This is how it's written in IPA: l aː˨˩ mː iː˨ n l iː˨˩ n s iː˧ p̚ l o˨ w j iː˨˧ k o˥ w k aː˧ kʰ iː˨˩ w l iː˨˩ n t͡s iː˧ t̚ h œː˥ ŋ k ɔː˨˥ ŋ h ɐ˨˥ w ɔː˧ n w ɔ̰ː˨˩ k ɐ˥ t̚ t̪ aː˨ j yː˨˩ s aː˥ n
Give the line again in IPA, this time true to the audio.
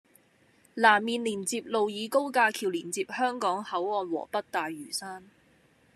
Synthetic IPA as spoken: l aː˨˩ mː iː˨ n l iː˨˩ n t͡s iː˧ p̚ l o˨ w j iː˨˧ k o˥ w k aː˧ kʰ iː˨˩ w l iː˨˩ n t͡s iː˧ p̚ h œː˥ ŋ k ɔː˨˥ ŋ h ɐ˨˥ w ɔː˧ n w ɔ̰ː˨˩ p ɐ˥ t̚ t̪ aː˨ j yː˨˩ s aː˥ n